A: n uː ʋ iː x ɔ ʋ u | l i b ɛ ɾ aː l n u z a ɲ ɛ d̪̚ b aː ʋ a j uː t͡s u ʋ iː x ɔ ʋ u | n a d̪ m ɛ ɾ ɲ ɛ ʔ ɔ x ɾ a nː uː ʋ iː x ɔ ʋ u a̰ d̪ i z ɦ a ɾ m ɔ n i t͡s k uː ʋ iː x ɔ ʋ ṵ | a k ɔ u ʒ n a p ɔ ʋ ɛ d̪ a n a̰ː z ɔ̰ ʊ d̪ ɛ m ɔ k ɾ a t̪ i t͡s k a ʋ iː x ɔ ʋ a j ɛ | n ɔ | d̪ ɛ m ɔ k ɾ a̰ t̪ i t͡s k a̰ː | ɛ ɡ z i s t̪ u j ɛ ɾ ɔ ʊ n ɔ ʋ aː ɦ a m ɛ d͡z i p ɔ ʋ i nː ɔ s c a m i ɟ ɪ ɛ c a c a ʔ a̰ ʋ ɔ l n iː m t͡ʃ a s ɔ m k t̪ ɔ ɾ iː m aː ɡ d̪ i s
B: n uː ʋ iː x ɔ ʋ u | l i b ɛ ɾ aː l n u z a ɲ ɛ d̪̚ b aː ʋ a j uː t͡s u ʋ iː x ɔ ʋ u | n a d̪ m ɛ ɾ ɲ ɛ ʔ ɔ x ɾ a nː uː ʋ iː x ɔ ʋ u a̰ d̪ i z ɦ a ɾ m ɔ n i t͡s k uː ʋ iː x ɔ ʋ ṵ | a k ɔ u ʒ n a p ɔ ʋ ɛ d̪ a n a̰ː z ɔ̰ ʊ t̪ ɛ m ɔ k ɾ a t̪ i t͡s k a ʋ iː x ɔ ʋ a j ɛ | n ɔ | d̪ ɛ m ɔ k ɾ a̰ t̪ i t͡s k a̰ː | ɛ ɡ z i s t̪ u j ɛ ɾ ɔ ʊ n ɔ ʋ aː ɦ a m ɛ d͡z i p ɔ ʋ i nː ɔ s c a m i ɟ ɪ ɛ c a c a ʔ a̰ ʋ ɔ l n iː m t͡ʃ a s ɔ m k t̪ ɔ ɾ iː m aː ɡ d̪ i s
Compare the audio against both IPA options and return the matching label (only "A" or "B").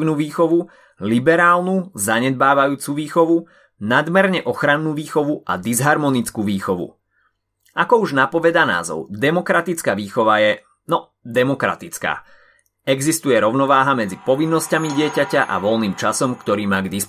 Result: A